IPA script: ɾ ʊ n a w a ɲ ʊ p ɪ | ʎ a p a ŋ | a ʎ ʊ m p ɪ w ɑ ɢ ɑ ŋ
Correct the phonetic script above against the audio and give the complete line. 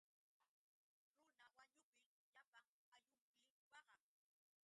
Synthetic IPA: ɾ ʊ n a w a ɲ ʊ p ɪ | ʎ a p a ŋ | a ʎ ʊ m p ɪ w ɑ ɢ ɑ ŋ